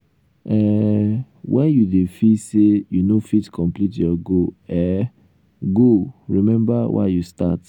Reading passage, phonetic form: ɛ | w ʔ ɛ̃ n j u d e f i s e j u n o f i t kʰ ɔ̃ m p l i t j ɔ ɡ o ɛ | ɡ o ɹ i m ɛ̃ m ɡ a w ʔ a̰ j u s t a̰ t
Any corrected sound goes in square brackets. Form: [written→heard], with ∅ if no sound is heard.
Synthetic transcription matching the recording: ɛ | w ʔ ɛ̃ n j u d e f i s e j u n o f i t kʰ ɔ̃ m p l i t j ɔ ɡ o ɛ | ɡ o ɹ i m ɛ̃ m [ɡ→b] a w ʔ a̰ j u s t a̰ t